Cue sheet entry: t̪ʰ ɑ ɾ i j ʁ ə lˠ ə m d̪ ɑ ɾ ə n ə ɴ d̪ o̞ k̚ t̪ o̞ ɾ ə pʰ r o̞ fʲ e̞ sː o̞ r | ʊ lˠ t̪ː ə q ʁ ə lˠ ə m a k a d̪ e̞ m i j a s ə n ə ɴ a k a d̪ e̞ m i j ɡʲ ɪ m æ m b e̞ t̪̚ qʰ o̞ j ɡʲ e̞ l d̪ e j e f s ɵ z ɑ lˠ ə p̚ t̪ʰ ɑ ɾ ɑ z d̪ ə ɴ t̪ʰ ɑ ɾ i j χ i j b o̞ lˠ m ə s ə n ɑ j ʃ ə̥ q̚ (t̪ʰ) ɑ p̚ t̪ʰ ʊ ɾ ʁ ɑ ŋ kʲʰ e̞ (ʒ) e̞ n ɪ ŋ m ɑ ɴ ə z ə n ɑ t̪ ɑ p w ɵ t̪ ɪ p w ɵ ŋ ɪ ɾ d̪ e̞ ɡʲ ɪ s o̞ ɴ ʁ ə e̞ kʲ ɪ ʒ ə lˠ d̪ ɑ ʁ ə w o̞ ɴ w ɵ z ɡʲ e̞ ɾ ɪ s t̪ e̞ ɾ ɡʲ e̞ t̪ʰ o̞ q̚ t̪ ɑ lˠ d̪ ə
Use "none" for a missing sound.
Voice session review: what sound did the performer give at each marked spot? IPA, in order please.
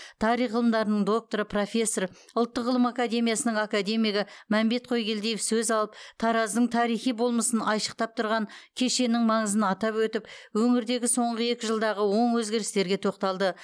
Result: t̪, ʃ

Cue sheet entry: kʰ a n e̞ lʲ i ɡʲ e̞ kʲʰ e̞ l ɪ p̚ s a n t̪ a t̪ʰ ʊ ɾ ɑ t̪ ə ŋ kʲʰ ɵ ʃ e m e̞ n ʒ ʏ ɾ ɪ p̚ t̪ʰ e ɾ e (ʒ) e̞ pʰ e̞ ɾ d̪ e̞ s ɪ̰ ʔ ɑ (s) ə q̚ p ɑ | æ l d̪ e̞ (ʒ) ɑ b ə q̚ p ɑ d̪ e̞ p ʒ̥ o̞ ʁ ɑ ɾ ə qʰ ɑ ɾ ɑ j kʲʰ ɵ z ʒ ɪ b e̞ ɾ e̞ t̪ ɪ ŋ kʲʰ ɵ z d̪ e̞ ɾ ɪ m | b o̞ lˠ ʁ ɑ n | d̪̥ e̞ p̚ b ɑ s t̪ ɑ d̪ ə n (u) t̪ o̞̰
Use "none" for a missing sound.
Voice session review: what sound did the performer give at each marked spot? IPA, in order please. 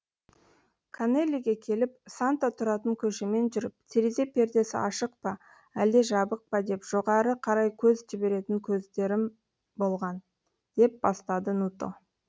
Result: z, ʃ, ʒ, u

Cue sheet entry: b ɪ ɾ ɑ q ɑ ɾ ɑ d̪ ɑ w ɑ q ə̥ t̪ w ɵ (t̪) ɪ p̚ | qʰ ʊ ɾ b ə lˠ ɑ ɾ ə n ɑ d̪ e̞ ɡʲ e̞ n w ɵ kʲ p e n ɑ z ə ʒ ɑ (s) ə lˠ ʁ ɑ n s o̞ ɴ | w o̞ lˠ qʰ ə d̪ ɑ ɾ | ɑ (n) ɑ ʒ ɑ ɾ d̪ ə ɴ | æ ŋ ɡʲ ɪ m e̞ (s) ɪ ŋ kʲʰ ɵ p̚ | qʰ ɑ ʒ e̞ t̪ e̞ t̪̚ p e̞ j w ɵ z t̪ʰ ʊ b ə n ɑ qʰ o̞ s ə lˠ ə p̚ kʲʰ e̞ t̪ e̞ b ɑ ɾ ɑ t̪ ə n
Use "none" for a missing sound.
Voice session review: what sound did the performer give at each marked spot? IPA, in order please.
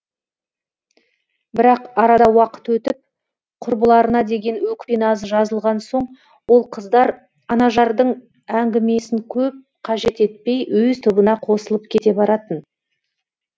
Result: t̪, z, n, s

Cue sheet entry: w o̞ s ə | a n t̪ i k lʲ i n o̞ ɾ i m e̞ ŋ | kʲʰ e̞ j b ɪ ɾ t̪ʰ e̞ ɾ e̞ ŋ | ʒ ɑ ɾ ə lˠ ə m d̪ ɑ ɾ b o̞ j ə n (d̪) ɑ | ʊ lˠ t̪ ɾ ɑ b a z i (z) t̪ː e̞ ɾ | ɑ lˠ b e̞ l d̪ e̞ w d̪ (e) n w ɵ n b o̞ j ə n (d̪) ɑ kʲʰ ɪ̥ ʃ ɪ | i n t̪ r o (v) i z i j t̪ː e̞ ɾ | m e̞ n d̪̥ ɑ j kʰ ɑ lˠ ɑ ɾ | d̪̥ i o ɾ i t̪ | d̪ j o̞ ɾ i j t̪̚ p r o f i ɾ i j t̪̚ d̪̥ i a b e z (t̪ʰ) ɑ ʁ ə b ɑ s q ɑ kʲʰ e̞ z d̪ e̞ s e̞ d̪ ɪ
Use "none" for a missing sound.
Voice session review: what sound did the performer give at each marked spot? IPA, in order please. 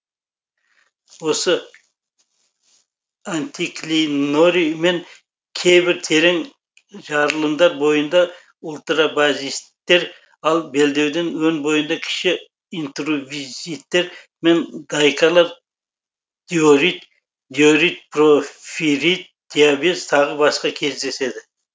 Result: d̪, s, e, d̪, v, t̪ʰ

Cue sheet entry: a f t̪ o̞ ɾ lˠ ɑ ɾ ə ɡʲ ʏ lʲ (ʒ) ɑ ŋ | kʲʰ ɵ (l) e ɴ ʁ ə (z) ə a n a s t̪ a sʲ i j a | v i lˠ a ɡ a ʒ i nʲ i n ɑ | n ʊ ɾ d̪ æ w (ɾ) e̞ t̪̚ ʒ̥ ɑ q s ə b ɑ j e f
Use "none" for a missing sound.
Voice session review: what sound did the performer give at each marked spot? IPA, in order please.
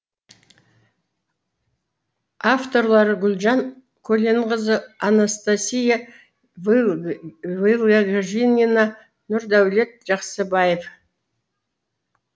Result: ʒ, l, z, l

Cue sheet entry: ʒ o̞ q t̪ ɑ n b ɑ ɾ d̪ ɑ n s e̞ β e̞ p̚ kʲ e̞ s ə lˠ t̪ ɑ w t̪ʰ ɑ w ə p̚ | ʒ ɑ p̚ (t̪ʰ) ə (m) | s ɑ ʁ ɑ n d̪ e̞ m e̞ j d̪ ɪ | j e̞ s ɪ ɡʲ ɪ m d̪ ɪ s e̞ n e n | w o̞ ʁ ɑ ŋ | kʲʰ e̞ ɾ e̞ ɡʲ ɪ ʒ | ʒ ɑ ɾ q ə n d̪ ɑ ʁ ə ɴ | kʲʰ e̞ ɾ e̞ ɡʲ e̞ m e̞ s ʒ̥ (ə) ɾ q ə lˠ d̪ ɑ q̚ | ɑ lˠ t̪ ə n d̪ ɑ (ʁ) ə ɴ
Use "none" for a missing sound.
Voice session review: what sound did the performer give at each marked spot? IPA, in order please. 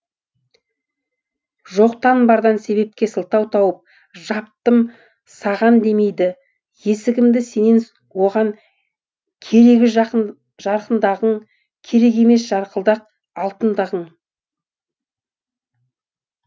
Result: t̪, m, ɑ, ʁ

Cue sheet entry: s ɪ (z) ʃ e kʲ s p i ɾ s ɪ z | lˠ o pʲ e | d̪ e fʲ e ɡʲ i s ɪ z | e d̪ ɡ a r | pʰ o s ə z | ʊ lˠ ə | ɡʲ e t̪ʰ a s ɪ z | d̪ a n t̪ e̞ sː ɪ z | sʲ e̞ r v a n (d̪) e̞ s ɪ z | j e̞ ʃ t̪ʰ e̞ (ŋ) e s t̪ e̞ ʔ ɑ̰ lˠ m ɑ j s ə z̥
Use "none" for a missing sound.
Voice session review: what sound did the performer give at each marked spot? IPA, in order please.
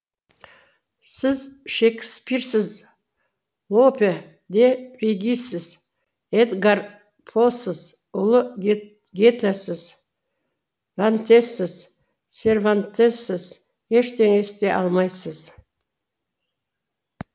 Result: z, t̪, ŋ

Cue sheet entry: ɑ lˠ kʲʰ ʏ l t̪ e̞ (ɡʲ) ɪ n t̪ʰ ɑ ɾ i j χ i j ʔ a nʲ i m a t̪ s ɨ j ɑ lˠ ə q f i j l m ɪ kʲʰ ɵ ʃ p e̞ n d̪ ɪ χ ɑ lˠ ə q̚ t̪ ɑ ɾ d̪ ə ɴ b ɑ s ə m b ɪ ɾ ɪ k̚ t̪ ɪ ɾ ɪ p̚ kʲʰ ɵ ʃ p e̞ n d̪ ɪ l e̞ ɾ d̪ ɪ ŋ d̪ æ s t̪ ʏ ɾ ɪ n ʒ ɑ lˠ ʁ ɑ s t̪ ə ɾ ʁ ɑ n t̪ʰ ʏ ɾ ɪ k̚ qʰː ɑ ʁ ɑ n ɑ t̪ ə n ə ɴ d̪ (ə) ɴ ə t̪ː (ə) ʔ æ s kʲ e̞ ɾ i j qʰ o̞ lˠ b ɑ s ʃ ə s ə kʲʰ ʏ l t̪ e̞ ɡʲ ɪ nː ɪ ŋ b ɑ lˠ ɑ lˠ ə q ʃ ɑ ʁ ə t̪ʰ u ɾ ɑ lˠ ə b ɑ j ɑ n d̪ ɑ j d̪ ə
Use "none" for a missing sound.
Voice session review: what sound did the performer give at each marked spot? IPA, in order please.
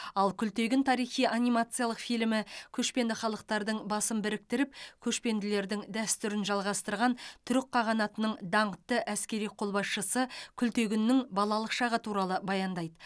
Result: ɡʲ, ɑ, ə

